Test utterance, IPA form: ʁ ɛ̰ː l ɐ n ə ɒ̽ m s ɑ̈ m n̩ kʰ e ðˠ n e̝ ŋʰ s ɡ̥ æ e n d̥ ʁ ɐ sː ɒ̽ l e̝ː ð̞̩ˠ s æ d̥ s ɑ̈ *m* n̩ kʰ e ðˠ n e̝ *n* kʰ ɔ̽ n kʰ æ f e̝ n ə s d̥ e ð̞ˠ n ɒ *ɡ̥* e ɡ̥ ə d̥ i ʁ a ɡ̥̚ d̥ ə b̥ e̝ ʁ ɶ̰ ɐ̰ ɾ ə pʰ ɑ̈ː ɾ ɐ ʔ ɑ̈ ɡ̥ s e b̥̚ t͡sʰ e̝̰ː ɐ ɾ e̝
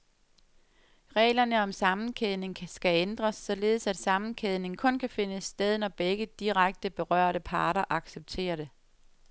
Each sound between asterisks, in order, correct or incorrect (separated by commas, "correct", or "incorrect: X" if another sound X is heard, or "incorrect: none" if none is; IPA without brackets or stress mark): correct, incorrect: ŋ, incorrect: b̥